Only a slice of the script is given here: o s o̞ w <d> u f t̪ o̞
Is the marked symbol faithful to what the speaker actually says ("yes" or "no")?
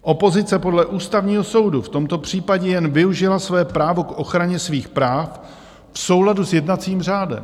yes